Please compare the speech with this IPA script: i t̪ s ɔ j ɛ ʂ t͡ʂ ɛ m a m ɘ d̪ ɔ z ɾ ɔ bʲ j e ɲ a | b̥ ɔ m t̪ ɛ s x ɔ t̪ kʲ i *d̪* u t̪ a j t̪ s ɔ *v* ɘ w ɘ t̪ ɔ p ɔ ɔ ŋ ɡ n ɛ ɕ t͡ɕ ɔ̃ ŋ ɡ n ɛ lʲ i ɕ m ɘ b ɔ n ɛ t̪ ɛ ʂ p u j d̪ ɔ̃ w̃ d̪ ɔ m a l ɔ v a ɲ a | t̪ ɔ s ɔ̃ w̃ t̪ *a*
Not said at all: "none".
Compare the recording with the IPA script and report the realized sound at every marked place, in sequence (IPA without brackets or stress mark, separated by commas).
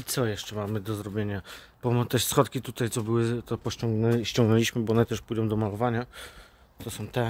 t̪, b, ɛ